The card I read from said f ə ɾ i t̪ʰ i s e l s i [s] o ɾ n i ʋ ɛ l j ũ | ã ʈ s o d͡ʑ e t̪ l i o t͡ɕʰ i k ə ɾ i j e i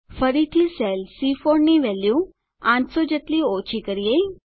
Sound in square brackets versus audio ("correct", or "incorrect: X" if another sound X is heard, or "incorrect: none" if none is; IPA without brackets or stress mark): incorrect: f